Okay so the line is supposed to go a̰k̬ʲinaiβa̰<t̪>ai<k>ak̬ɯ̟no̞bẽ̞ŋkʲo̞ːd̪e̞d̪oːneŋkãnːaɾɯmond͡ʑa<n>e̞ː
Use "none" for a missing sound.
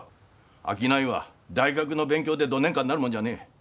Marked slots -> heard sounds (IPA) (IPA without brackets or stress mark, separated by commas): d̪, ɡ, n